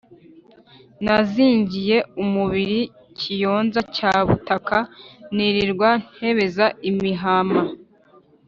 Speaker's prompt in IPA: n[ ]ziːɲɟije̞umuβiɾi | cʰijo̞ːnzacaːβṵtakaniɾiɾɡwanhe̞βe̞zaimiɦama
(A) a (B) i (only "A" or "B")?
A